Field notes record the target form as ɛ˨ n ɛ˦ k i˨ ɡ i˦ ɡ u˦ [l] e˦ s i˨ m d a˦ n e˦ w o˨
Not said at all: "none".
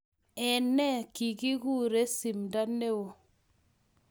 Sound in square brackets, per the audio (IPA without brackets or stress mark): ɾ